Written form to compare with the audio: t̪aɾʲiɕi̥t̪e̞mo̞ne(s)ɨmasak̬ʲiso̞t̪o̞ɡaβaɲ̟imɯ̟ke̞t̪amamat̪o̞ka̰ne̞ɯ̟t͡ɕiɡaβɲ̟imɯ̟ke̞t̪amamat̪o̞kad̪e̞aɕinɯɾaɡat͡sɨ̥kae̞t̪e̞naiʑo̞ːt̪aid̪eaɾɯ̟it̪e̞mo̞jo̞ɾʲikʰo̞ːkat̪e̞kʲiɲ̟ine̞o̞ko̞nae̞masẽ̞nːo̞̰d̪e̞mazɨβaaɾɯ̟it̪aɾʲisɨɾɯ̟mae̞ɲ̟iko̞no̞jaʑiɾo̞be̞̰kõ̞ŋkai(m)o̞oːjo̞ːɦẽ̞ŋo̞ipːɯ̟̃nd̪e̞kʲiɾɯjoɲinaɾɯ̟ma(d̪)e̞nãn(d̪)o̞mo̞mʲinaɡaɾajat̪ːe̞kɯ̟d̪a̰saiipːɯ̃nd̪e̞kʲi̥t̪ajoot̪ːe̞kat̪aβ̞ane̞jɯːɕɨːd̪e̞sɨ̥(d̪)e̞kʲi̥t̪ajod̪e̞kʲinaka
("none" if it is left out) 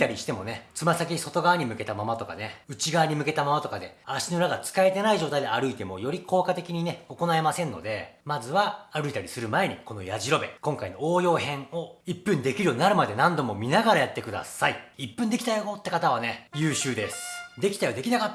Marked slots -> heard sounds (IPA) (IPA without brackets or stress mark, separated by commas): t͡s, n, d̪, d̪, d̪